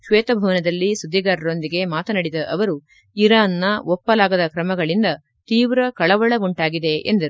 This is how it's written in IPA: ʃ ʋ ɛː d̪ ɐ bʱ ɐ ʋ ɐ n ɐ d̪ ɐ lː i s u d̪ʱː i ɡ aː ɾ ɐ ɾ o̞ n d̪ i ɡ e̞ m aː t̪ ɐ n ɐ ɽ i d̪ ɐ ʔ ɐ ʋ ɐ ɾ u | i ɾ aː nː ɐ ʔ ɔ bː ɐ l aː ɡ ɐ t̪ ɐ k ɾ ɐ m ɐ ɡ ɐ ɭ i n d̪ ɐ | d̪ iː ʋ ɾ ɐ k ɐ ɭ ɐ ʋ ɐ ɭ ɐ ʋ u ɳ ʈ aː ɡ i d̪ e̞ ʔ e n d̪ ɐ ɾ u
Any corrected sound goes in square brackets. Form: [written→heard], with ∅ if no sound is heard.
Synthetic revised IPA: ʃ ʋ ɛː [d̪→t̪] ɐ bʱ ɐ ʋ ɐ n ɐ d̪ ɐ lː i s u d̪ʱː i ɡ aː ɾ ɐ ɾ o̞ n d̪ i ɡ e̞ m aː t̪ ɐ n ɐ ɽ i d̪ ɐ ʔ ɐ ʋ ɐ ɾ u | i ɾ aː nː ɐ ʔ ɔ [bː→pː] ɐ l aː ɡ ɐ [t̪→d̪] ɐ k ɾ ɐ m ɐ ɡ ɐ ɭ i n d̪ ɐ | [d̪→t̪] iː ʋ ɾ ɐ k ɐ ɭ ɐ ʋ ɐ ɭ ɐ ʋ u ɳ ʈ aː ɡ i d̪ e̞ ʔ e n d̪ ɐ ɾ u